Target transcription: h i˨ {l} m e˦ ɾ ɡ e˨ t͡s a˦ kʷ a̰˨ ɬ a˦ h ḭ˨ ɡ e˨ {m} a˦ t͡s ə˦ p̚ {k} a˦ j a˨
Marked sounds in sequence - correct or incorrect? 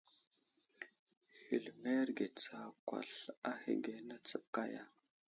correct, incorrect, correct

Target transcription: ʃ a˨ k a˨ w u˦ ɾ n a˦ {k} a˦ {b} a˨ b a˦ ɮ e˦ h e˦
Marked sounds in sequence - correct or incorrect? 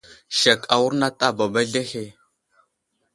incorrect, correct

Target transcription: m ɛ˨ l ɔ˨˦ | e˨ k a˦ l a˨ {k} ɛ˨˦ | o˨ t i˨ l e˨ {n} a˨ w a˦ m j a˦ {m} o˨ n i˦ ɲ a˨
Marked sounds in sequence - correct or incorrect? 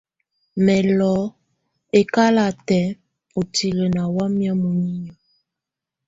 incorrect, correct, correct

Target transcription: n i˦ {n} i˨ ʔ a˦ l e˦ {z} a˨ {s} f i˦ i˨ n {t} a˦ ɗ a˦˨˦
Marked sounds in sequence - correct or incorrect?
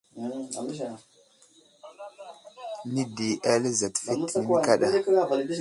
incorrect, correct, incorrect, incorrect

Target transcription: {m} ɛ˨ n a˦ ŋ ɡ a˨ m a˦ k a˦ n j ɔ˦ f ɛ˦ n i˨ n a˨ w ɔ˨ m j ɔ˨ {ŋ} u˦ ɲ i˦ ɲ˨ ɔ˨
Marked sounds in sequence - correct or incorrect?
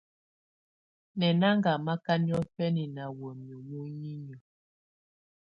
incorrect, incorrect

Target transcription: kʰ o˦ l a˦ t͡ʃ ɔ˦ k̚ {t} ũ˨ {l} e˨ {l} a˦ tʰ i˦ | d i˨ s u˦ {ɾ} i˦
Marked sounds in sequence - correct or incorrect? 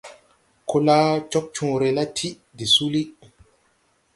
incorrect, incorrect, correct, incorrect

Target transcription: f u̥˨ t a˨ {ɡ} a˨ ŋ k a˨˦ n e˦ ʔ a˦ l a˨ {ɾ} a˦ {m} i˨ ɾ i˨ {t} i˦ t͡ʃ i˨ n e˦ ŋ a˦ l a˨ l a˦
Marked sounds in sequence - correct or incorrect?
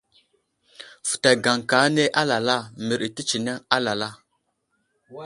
correct, incorrect, correct, correct

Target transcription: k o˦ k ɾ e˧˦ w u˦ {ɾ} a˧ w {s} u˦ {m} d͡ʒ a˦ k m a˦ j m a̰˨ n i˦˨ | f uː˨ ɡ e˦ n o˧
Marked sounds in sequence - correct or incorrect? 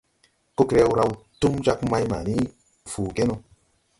correct, incorrect, correct

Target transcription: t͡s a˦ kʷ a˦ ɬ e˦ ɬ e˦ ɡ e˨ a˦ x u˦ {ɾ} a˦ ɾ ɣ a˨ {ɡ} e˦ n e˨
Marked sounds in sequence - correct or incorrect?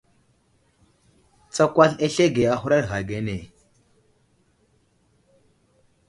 correct, correct

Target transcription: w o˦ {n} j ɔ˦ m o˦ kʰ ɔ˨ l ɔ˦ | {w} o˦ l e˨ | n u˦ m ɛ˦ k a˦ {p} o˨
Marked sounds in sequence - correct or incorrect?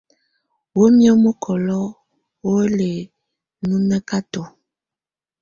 incorrect, correct, incorrect

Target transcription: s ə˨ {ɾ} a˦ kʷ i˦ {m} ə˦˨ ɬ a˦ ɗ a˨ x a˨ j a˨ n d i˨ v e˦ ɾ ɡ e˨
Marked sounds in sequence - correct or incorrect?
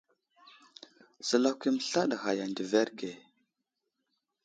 incorrect, correct

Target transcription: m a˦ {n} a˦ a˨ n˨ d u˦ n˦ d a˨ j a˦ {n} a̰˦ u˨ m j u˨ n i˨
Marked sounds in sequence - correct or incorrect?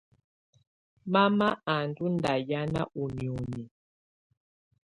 incorrect, correct

